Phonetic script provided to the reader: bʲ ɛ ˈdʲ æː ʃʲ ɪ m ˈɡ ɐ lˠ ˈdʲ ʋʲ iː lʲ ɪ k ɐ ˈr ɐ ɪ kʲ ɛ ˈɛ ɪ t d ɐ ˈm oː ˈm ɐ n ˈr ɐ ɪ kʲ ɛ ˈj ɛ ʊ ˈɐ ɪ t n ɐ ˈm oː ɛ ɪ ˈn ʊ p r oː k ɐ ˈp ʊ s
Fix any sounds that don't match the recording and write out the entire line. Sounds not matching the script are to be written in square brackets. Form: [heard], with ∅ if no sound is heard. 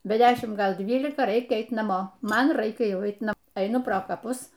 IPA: bʲ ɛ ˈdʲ æː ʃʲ ɪ m ˈɡ ɐ lˠ ˈdʲ ʋʲ iː lʲ ɪ k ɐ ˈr ɐ ɪ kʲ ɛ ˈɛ ɪ t [n] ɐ ˈm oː ˈm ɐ n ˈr ɐ ɪ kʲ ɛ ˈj ɛ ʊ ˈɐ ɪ t n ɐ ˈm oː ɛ ɪ ˈn ʊ p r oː k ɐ ˈp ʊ s